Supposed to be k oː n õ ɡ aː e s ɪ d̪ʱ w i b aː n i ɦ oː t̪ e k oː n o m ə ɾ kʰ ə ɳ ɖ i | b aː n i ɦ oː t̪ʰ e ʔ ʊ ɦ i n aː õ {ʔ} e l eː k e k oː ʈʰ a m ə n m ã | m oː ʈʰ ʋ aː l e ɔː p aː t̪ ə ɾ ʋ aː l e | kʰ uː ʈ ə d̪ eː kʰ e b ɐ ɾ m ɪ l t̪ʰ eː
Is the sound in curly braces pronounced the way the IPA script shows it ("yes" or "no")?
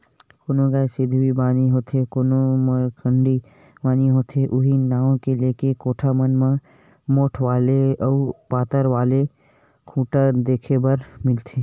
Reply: no